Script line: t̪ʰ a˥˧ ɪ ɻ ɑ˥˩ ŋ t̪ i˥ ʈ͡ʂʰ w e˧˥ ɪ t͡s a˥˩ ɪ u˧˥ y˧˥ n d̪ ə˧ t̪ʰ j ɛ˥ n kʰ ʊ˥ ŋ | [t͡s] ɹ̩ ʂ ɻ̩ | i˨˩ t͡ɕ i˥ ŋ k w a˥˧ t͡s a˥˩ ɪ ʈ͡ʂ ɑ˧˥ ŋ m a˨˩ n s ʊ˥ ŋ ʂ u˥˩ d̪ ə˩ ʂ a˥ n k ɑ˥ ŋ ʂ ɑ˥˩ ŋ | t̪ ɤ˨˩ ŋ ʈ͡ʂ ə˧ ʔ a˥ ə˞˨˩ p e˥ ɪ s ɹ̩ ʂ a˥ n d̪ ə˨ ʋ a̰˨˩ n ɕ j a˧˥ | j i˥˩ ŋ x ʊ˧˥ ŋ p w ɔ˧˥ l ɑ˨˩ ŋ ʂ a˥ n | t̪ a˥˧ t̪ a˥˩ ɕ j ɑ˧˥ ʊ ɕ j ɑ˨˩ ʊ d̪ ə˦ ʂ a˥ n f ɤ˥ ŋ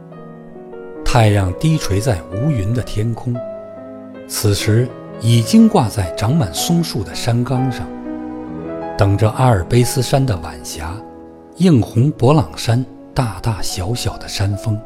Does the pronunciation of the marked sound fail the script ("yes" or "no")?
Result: yes